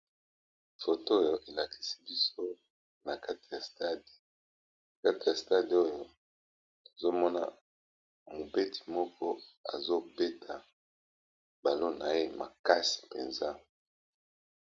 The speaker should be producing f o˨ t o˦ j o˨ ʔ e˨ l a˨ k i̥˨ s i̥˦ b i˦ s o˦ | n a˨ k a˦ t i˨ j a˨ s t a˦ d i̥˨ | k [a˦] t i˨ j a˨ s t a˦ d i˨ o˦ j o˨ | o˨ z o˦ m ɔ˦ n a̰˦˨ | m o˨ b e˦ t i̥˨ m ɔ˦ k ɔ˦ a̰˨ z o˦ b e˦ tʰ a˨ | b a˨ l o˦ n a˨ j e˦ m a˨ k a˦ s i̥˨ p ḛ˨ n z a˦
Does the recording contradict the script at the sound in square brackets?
no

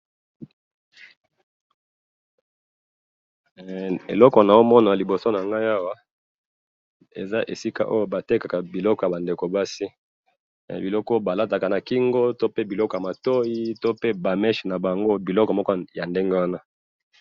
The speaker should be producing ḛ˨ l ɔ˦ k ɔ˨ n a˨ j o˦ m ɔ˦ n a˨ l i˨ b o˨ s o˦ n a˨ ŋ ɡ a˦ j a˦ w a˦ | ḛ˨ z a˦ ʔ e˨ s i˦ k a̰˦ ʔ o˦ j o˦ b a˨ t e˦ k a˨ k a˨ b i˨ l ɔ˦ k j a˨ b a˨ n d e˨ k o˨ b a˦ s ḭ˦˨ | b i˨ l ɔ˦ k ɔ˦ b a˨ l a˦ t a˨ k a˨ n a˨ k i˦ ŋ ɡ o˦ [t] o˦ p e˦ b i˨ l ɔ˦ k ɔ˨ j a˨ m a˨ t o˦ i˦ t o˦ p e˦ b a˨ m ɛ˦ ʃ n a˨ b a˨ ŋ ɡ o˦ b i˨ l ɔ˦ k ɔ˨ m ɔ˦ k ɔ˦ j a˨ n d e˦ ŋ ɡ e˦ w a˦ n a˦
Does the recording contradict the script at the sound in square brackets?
no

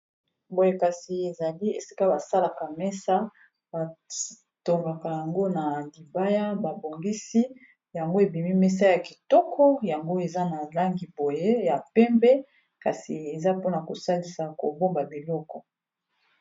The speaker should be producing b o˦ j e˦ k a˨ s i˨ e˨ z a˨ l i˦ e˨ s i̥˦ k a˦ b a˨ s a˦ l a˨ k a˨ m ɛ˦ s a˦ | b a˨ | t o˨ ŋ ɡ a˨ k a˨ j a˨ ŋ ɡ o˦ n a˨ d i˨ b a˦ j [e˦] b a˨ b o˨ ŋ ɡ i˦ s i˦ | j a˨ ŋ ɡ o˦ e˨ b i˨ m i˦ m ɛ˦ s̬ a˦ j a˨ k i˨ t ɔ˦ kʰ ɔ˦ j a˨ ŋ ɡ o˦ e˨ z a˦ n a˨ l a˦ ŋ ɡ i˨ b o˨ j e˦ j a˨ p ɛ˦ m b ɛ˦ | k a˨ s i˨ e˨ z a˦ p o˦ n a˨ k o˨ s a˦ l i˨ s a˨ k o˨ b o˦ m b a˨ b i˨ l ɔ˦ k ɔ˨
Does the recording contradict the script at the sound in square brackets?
yes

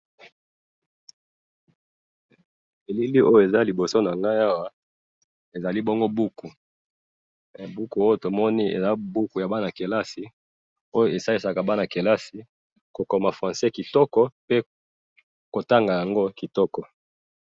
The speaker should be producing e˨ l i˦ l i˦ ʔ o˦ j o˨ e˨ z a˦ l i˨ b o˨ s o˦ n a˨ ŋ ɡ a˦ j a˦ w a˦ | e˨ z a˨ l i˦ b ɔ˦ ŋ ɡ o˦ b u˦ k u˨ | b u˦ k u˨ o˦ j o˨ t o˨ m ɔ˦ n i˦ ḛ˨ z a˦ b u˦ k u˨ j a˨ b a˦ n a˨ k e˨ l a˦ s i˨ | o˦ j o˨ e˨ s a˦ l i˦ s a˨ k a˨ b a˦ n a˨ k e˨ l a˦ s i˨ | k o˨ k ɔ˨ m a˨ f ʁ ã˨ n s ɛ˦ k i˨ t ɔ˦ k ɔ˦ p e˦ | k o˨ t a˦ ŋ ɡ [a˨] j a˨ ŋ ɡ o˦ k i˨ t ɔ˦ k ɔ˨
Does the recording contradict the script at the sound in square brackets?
no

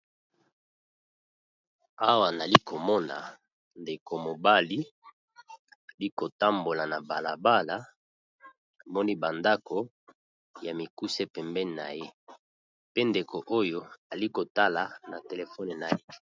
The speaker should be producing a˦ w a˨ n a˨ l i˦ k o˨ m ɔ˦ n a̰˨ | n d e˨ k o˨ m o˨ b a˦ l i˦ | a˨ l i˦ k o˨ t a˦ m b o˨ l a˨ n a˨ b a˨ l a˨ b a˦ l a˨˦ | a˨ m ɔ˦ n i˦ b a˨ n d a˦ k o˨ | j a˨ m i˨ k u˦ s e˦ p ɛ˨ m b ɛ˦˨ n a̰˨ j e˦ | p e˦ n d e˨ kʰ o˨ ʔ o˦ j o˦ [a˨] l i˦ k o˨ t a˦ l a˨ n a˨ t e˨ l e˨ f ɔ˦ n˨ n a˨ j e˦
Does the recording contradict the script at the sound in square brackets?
no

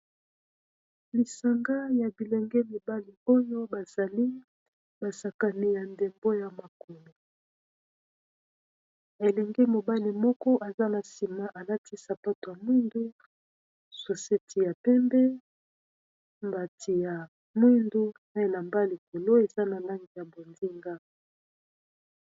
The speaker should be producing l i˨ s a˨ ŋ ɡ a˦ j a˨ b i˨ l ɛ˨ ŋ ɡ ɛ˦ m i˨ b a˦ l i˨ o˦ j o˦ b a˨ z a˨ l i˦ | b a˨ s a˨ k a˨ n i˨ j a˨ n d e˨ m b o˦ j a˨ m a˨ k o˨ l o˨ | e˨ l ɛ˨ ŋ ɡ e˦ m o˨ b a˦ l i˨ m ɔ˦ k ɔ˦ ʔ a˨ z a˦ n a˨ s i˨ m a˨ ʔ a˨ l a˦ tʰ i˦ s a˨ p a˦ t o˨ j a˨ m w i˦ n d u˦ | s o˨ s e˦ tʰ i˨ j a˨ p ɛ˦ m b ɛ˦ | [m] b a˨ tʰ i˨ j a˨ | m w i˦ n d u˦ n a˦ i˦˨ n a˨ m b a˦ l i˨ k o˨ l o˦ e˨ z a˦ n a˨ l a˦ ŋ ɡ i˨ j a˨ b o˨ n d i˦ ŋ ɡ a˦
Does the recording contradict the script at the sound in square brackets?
no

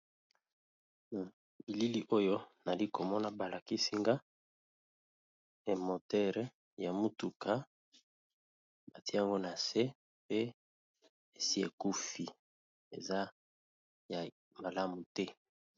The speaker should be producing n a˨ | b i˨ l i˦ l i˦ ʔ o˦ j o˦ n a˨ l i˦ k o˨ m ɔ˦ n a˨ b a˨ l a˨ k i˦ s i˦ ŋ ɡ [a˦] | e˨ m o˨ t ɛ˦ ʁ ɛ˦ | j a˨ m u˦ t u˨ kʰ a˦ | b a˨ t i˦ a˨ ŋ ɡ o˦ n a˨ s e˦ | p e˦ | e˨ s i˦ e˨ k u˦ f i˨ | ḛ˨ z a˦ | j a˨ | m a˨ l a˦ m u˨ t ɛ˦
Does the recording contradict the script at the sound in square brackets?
no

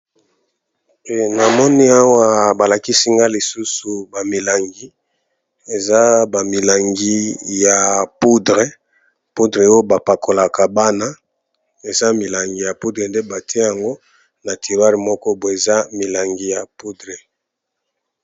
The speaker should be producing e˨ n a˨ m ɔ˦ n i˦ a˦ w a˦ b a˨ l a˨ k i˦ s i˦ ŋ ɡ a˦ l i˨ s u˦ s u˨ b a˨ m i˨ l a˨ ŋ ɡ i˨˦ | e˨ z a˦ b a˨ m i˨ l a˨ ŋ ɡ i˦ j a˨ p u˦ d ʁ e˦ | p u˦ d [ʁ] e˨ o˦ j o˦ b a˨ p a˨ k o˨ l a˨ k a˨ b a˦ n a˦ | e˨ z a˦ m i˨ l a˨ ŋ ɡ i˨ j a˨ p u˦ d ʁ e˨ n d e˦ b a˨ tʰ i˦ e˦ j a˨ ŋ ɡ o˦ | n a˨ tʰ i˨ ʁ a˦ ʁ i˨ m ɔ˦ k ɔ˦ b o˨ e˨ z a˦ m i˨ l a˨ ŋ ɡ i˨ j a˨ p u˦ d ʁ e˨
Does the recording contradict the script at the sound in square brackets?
no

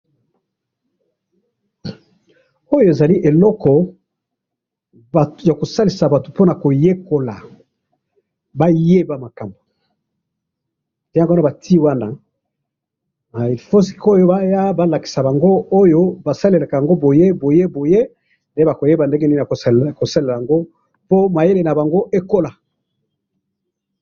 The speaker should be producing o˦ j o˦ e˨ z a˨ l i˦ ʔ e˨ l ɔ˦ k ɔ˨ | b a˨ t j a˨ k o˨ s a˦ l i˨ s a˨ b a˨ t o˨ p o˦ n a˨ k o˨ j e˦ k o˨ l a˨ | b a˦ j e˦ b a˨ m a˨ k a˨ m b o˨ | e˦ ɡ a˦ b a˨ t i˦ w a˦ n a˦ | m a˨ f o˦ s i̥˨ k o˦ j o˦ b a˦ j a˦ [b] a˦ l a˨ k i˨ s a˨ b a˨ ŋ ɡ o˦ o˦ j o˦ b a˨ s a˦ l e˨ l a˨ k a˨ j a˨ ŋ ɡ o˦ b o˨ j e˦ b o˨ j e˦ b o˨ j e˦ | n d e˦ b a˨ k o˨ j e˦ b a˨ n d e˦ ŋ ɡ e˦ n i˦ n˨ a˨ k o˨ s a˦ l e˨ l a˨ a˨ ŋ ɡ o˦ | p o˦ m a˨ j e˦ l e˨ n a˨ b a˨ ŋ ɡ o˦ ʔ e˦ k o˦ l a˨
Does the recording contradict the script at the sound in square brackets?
no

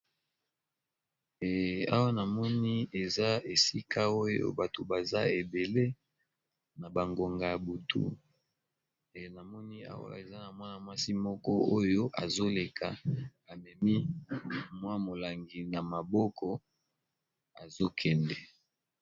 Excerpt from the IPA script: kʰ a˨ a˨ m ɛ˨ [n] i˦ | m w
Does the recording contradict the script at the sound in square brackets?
yes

